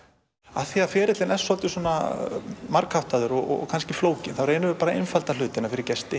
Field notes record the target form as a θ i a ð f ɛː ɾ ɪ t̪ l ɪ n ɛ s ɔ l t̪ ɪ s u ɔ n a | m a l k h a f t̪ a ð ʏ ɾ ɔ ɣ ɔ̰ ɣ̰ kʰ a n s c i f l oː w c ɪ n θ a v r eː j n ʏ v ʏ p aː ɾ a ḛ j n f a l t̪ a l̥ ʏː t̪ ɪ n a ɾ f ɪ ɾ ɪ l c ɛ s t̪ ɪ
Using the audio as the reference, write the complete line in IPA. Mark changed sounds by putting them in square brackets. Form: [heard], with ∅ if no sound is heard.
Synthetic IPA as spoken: a θ i a ð f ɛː ɾ ɪ t̪ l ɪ n ɛ s ɔ l t̪ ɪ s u ɔ n a | m a [ɾ] k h a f t̪ a ð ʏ ɾ ɔ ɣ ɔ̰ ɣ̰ kʰ a n s c [ɪ] f l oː w c ɪ n θ a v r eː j n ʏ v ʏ p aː ɾ a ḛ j n f a l t̪ a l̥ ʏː t̪ ɪ n a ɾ f ɪ ɾ ɪ [ɾ] c ɛ s t̪ ɪ